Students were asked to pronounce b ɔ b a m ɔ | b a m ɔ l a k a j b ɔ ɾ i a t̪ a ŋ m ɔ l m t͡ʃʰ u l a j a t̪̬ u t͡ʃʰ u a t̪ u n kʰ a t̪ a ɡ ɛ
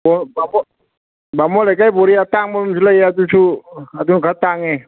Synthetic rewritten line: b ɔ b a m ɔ | b a m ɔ l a k a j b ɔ ɾ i a t̪ a ŋ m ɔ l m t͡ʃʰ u l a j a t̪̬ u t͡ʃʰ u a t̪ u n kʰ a t̪ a ŋ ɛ